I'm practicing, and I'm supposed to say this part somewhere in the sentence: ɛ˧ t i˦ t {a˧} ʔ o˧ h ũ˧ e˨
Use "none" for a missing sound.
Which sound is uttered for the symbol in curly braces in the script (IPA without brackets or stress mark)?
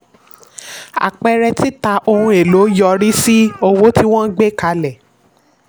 a˧